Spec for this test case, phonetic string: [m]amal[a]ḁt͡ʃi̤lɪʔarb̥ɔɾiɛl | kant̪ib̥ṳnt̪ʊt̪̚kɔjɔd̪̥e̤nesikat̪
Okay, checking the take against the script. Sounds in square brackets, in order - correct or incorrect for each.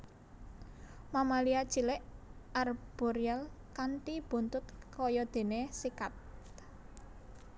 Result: correct, incorrect: i

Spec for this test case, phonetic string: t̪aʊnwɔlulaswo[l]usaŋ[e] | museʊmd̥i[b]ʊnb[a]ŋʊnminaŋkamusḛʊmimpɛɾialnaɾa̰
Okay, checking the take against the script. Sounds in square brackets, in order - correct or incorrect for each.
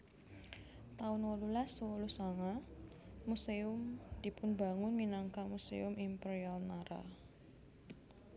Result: correct, incorrect: a, incorrect: p, correct

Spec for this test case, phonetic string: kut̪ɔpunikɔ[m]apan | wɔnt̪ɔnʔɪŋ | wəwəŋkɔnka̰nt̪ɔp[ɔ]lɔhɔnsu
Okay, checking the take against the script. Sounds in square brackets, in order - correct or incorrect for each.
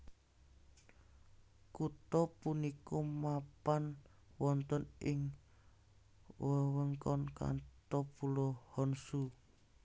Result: correct, incorrect: u

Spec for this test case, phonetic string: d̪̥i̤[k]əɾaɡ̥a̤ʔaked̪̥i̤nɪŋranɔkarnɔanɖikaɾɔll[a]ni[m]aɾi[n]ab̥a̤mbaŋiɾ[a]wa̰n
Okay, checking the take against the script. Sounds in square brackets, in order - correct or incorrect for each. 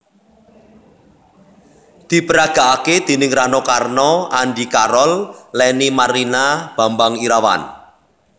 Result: incorrect: p, incorrect: ɛ, correct, correct, correct

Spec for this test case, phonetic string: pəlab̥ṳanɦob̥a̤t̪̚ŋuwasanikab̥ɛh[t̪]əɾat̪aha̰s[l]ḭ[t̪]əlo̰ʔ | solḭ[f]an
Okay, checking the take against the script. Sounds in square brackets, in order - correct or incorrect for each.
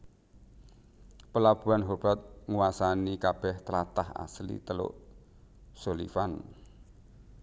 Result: correct, correct, correct, correct

